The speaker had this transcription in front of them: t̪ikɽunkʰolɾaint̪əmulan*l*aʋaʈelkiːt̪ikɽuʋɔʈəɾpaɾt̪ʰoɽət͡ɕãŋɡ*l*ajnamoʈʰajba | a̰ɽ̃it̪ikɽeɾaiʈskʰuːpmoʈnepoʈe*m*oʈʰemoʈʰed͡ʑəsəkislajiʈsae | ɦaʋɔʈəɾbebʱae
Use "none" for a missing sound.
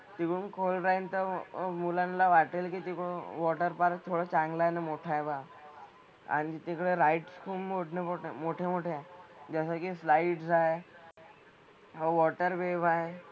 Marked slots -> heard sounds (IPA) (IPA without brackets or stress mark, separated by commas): l, l, m